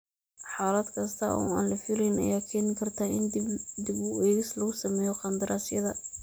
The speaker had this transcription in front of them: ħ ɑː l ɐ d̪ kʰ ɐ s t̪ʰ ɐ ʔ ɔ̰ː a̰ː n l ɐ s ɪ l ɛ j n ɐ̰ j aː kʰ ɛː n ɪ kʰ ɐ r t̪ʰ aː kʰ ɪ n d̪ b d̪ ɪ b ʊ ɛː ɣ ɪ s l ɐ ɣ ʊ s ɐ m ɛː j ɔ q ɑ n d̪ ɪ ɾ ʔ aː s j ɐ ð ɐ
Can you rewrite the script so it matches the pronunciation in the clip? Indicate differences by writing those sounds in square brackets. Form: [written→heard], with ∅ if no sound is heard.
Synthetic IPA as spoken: ħ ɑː l ɐ d̪ kʰ ɐ s t̪ʰ ɐ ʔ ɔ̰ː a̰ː n l ɐ [s→f] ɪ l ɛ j n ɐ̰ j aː kʰ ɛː n ɪ kʰ ɐ r t̪ʰ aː [kʰ→∅] ɪ n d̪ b d̪ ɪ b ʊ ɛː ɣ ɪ s l ɐ ɣ ʊ s ɐ m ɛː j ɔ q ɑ n d̪ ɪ ɾ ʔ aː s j ɐ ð ɐ